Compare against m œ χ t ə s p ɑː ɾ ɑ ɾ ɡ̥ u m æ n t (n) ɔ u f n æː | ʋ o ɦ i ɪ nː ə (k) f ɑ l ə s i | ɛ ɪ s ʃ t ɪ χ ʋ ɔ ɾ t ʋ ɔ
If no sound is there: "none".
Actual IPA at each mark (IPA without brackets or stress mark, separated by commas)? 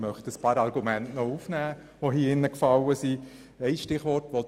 n, k